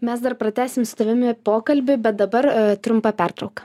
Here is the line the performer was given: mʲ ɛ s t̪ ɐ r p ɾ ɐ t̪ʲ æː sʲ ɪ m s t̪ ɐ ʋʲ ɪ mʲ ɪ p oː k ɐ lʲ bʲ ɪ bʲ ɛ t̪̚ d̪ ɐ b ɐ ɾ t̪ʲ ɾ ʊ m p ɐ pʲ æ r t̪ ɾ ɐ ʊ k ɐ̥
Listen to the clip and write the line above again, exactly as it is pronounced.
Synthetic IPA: mʲ ɛ s d̪ ɐ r p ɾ ɐ t̪ʲ æː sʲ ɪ m s t̪ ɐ ʋʲ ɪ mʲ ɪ p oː k ɐ lʲ bʲ ɪ bʲ ɛ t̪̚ d̪ ɐ b ɐ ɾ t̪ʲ ɾ ʊ m p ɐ pʲ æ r t̪ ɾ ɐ ʊ k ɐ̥